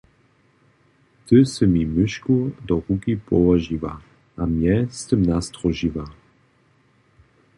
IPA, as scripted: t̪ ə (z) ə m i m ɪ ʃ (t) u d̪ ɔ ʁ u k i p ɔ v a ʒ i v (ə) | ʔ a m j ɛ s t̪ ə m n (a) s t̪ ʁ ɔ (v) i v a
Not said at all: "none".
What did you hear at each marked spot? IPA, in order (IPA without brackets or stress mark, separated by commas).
s, k, a, a, ʒ